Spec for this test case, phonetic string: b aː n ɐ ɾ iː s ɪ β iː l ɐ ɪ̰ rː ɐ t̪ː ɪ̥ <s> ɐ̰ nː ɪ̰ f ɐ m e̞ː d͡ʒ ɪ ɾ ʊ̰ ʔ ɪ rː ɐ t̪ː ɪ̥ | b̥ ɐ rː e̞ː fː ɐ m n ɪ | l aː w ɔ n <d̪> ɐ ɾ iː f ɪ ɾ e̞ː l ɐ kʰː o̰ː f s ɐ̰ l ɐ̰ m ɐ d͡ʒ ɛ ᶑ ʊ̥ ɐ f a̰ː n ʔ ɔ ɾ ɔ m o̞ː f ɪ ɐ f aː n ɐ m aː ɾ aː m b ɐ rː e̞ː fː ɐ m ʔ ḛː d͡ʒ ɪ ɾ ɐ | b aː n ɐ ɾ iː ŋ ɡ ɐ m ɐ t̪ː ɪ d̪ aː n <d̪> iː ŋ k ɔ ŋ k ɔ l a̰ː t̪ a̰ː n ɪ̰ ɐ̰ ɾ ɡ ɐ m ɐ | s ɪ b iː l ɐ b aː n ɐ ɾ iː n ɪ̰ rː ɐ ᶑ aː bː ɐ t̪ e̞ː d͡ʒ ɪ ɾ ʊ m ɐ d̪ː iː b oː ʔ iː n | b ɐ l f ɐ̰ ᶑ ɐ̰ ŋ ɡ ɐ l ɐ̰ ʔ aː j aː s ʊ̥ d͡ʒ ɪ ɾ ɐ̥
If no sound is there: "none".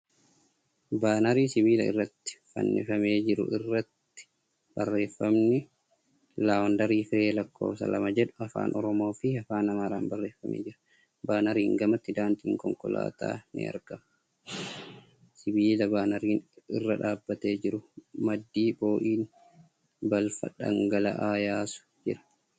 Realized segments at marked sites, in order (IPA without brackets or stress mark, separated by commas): f, d̪, t̪